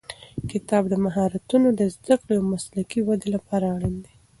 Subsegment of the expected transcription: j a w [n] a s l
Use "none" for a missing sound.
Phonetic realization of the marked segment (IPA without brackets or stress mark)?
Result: m